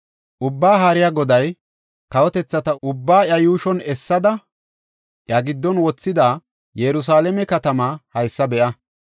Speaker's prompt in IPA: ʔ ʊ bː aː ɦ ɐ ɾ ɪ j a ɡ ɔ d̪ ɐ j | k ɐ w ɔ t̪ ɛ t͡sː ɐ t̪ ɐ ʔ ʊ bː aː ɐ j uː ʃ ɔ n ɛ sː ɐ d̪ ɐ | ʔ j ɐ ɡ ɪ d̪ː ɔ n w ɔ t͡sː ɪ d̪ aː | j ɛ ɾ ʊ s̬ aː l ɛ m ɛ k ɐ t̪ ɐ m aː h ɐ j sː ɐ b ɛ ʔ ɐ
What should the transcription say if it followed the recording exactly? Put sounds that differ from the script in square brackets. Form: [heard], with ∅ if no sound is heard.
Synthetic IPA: ʔ ʊ bː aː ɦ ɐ ɾ ɪ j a ɡ ɔ d̪ ɐ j | k ɐ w ɔ t̪ ɛ t͡sː ɐ t̪ ɐ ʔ ʊ bː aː ɐ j uː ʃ ɔ n ɛ sː ɐ d̪ ɐ | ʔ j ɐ ɡ ɪ d̪ː ɔ n w ɔ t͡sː ɪ d̪ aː | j ɛ ɾ ʊ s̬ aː l ɛ m ɛ k ɐ t̪ ɐ m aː h ɐ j sː ɐ b ɛ ʔ ɐ

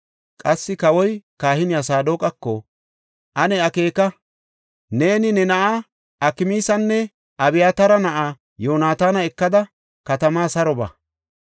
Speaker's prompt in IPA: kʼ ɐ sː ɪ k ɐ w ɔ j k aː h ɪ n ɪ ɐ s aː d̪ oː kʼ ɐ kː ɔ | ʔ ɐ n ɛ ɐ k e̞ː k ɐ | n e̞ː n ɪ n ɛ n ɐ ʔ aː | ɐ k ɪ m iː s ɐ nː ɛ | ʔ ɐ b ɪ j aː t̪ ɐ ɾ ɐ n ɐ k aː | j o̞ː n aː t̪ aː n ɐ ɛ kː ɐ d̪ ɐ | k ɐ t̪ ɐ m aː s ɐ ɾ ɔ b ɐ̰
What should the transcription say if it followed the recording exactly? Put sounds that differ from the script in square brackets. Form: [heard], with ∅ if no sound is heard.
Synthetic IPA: kʼ ɐ sː ɪ k ɐ w ɔ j k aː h ɪ n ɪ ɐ s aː d̪ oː kʼ ɐ kː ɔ | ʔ ɐ n ɛ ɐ k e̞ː k ɐ | n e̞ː n ɪ n ɛ n ɐ ʔ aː | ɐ k ɪ m iː s ɐ nː ɛ | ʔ ɐ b ɪ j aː t̪ ɐ ɾ ɐ n ɐ [ʔ] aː | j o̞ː n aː t̪ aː n ɐ ɛ kː ɐ d̪ ɐ | k ɐ t̪ ɐ m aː s ɐ ɾ ɔ b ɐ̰

